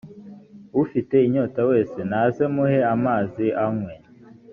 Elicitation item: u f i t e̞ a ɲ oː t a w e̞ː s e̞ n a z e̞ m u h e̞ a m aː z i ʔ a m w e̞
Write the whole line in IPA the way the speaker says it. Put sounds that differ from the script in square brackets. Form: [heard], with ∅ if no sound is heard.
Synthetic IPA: u f i t e̞ [i] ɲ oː t a w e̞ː s e̞ n a z e̞ m u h e̞ a m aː z i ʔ a m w e̞